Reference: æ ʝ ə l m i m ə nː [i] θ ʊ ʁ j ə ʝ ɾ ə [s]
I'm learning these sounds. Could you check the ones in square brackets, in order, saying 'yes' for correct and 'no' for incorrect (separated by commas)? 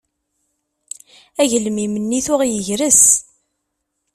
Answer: yes, yes